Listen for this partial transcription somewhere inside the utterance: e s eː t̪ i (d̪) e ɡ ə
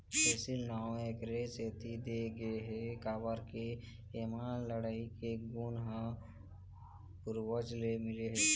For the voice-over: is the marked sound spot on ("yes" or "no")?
yes